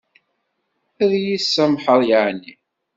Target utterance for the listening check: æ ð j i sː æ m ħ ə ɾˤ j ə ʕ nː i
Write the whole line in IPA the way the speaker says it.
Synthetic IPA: æ ð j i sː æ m ħ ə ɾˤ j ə ʕ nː i